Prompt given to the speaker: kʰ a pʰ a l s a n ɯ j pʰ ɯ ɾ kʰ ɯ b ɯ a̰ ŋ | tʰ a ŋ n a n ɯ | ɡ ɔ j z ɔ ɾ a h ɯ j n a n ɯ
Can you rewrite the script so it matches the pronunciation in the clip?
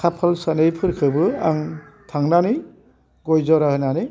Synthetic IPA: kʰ a pʰ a l s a n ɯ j pʰ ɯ ɾ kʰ ɯ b ɯ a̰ ŋ | tʰ a ŋ n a n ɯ | ɡ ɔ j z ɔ ɾ a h ɯ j n a n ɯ